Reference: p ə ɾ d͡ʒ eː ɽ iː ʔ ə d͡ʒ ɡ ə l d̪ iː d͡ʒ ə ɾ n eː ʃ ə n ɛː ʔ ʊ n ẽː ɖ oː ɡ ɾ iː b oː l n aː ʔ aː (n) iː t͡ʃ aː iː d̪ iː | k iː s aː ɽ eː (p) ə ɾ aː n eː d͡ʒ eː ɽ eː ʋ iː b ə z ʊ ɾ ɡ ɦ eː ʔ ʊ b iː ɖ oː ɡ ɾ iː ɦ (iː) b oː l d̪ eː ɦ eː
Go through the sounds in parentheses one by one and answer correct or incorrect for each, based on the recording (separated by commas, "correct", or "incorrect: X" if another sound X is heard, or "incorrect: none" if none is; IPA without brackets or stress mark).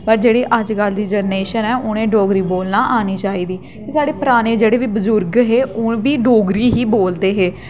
correct, correct, correct